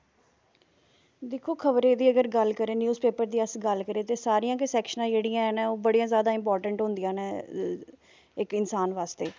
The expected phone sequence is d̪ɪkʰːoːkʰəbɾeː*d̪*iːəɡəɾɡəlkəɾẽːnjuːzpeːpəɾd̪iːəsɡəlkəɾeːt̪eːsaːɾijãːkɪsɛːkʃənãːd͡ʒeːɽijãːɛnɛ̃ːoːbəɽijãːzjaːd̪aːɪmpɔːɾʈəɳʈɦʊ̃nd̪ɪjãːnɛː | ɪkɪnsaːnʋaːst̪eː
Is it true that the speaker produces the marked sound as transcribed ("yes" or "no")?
yes